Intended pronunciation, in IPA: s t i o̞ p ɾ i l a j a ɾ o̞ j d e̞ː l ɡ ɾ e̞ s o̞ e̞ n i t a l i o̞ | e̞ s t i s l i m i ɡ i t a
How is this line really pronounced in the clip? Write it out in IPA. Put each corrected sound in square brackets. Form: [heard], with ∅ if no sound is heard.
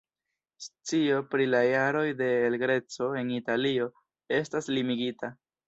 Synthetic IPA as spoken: s [t͡s] i o̞ p ɾ i l a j a ɾ o̞ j d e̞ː l ɡ ɾ e̞ [t͡s] o̞ e̞ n i t a l i o̞ | e̞ s t [a] s l i m i ɡ i t a